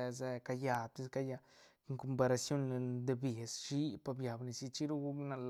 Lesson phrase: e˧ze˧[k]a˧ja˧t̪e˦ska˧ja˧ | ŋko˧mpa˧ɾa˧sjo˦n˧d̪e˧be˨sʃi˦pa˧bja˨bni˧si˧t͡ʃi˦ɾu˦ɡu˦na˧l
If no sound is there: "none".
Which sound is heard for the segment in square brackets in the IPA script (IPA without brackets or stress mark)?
k